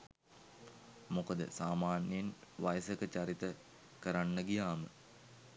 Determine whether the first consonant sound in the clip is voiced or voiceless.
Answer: voiced